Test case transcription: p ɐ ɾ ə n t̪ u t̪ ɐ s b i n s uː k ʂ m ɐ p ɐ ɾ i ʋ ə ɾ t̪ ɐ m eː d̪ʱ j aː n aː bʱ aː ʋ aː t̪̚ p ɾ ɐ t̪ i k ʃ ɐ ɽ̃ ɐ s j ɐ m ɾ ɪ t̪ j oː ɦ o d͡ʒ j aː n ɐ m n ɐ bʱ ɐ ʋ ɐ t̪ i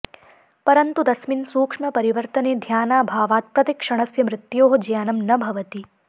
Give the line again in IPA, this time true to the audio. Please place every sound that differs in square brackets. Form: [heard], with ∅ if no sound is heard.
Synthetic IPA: p ɐ ɾ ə n t̪ u [d̪] ɐ s [m] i n s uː k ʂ m ɐ p ɐ ɾ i ʋ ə ɾ t̪ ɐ [n] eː d̪ʱ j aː n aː bʱ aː ʋ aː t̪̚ p ɾ ɐ t̪ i k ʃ ɐ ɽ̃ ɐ s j ɐ m ɾ ɪ t̪ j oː ɦ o d͡ʒ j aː n ɐ m n ɐ bʱ ɐ ʋ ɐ t̪ i